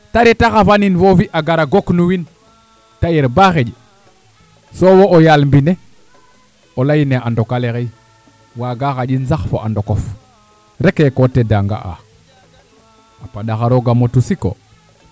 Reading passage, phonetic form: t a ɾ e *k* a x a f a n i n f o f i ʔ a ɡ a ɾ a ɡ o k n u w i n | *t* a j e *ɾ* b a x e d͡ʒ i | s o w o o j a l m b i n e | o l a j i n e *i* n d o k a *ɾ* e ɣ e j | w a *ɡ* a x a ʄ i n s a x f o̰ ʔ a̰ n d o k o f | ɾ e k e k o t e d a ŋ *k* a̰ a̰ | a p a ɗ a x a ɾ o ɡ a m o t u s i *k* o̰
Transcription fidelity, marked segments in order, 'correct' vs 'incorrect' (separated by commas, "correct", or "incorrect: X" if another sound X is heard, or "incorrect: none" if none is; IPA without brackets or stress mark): incorrect: t, correct, correct, incorrect: a, incorrect: l, correct, incorrect: ɡ, correct